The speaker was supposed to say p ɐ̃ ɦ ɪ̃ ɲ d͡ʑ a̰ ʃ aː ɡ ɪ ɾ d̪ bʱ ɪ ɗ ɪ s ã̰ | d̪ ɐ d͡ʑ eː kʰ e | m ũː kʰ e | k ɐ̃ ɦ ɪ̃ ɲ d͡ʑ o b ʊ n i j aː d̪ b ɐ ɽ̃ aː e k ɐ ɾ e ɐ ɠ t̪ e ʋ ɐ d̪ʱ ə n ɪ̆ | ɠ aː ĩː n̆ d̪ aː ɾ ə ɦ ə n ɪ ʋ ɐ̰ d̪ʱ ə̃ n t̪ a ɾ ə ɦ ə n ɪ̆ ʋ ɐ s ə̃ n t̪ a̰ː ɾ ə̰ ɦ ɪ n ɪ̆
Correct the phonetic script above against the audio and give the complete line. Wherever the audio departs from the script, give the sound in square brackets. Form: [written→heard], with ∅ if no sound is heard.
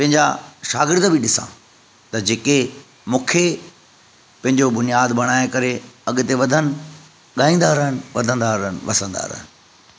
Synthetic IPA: p ɐ̃ ɦ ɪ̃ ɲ d͡ʑ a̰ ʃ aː ɡ ɪ ɾ d̪ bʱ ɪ ɗ ɪ s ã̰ | [d̪→t̪] ɐ d͡ʑ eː [kʰ→k] e | m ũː kʰ e | [k→p] ɐ̃ ɦ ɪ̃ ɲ d͡ʑ o b ʊ n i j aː d̪ b ɐ ɽ̃ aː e k ɐ ɾ e ɐ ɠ t̪ e ʋ ɐ d̪ʱ ə n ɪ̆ | ɠ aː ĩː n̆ d̪ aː ɾ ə ɦ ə n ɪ ʋ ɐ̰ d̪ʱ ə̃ n [t̪→d̪] a ɾ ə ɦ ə n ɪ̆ ʋ ɐ s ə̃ n [t̪→d̪] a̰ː ɾ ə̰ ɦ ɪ n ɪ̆